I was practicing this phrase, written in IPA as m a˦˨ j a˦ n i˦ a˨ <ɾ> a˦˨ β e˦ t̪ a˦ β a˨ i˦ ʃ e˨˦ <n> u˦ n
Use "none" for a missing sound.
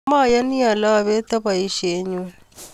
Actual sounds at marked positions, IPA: l, ɲ

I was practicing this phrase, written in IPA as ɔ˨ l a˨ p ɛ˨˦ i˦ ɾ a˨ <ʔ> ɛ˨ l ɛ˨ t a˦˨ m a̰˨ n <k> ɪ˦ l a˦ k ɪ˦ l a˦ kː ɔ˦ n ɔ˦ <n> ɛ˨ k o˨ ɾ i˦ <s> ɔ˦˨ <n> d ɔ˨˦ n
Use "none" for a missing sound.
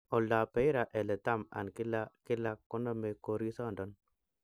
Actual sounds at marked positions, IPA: ʔ, k, m, s, n

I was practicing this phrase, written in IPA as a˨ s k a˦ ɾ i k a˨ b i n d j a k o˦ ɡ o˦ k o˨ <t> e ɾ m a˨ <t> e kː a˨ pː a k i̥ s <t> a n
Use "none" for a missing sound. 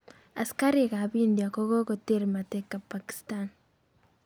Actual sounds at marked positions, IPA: t, t, t

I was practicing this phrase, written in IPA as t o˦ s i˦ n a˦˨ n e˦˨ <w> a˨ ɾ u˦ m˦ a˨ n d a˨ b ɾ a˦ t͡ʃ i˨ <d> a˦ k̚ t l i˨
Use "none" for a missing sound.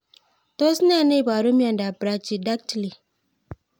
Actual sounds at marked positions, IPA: b, d

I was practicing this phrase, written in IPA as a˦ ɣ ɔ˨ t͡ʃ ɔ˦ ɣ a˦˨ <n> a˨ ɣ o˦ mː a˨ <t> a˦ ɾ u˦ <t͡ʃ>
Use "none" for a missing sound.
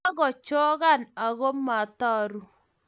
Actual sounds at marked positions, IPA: n, t, none

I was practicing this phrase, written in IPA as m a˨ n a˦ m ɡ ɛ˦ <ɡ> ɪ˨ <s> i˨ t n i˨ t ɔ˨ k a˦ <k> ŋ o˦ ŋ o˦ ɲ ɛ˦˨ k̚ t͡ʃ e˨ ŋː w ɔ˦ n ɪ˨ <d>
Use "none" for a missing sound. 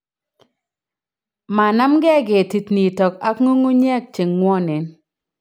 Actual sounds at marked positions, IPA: ɡ, t, k, n

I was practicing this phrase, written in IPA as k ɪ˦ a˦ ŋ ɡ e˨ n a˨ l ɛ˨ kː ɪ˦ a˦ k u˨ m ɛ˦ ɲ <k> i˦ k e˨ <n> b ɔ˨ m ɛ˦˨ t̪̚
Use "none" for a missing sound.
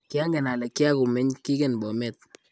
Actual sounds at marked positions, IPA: k, n

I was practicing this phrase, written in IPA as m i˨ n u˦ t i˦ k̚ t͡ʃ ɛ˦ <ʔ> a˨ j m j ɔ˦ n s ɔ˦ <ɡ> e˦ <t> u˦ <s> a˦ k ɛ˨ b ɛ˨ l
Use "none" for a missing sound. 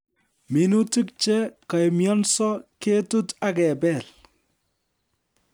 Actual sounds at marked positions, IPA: k, k, t, t

